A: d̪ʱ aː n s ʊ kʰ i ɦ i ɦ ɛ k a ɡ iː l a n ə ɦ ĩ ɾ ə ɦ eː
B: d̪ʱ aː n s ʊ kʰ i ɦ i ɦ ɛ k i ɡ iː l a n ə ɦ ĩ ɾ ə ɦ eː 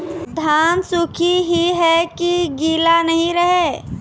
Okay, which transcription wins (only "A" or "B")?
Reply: B